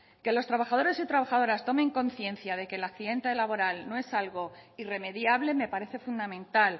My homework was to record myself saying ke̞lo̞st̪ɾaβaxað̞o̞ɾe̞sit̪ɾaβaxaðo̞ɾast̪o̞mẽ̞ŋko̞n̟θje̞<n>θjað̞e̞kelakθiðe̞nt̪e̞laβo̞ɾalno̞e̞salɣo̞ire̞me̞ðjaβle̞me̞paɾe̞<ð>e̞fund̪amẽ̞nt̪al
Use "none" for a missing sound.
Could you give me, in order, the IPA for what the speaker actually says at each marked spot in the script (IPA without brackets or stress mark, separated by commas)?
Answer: n, θ